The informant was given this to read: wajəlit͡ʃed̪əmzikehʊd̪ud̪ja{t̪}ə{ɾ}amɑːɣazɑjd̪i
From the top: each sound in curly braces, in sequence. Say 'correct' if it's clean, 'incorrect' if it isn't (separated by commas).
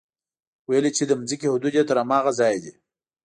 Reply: correct, correct